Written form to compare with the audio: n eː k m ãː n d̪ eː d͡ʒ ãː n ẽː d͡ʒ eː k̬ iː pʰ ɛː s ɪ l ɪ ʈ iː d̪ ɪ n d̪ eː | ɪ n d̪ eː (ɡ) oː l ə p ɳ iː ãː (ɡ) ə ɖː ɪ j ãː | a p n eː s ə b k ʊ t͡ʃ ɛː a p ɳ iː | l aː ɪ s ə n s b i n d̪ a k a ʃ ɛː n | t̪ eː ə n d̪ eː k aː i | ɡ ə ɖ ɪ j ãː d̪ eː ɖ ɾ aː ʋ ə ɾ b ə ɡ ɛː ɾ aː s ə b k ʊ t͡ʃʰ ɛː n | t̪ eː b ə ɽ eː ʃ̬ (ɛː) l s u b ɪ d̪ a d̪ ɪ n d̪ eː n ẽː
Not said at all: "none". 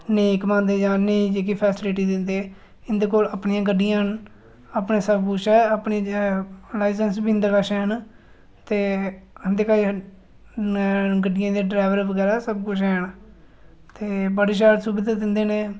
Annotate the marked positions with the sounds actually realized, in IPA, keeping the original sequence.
k, ɡ, aː

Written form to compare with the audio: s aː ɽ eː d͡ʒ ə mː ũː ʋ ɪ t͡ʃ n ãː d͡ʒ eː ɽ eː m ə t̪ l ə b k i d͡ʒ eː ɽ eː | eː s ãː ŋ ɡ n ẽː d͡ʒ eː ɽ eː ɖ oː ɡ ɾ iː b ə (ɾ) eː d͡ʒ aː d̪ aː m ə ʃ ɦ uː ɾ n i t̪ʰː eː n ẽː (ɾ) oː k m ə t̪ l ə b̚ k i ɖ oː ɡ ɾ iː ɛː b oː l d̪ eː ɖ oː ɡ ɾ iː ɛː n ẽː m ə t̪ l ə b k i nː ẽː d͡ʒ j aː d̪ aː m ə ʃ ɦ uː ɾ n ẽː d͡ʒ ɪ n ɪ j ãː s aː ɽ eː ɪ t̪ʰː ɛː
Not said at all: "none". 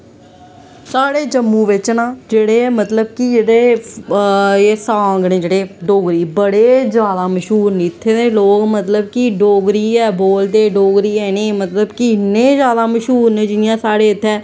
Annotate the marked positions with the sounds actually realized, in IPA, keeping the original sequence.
ɽ, l

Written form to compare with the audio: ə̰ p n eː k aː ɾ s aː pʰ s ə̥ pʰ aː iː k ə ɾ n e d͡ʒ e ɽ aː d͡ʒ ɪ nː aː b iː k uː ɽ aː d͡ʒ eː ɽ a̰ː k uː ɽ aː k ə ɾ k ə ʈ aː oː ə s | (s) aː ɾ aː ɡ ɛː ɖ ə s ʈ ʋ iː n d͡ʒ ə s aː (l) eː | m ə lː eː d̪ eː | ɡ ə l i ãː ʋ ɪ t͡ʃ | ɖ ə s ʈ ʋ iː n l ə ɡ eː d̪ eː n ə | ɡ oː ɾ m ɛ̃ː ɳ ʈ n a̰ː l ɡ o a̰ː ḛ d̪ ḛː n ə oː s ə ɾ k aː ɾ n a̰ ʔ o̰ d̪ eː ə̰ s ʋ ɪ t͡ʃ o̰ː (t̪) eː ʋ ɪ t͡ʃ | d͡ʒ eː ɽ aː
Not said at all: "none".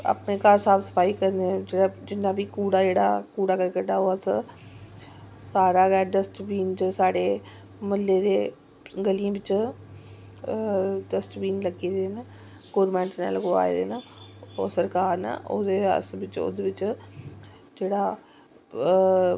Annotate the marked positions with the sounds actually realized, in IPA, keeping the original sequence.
s, ɽ, d̪

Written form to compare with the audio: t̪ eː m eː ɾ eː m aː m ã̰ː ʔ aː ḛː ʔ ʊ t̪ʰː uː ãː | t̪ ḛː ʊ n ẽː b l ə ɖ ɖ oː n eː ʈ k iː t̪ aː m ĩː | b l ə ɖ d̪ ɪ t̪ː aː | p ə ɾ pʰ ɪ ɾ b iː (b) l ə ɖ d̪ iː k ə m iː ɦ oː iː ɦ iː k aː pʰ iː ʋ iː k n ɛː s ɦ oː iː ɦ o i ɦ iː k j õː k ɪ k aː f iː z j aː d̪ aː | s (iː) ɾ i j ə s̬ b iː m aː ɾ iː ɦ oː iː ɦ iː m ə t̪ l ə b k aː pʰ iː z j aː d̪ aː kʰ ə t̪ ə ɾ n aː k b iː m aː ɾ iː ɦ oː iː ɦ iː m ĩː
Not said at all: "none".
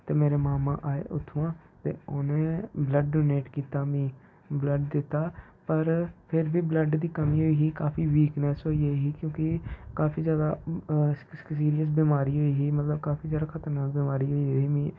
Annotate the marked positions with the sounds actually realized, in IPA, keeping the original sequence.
b, iː

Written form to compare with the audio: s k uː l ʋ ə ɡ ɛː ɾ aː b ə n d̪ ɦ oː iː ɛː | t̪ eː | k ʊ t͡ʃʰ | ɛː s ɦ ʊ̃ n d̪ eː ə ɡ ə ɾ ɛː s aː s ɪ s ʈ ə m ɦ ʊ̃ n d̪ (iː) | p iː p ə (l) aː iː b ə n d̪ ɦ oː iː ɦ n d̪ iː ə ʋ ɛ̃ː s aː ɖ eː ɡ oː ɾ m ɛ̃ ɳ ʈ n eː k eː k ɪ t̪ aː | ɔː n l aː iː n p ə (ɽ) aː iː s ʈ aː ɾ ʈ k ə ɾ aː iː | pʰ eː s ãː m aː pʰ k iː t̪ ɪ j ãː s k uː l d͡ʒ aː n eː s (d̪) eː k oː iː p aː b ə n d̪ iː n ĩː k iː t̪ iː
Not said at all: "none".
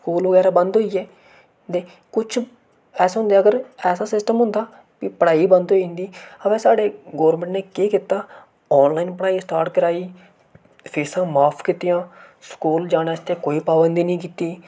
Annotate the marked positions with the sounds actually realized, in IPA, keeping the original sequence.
aː, ɽ, ɽ, t̪

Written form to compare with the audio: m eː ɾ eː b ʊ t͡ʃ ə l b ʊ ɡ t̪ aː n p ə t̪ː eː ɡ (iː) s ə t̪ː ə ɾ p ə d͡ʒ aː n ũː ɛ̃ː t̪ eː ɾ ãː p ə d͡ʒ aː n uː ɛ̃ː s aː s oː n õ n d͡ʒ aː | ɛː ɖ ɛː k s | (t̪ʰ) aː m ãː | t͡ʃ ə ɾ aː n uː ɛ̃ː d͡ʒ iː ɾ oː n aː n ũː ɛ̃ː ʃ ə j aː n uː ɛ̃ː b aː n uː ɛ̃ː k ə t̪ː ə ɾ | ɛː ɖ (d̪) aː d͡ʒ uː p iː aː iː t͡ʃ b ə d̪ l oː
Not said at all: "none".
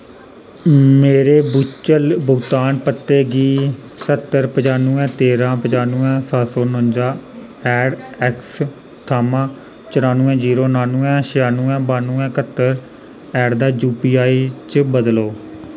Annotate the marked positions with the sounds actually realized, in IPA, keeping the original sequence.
iː, t̪ʰ, d̪

